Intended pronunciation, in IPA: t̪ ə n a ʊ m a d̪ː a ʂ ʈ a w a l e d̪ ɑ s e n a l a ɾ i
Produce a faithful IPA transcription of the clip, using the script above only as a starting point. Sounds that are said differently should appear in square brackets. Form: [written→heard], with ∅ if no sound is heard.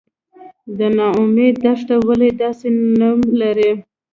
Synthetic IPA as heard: [t̪→d̪] ə n [a→ɑ] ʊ m [a→e] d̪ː a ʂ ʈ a w a l e d̪ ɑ s e n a l a ɾ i